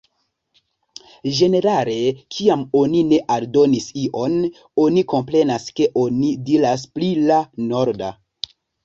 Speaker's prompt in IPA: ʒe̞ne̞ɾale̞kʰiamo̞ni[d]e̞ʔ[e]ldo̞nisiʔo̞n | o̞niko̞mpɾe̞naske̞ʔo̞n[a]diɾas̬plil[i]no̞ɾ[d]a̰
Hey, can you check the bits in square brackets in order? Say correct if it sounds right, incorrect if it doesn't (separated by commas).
incorrect, incorrect, incorrect, incorrect, correct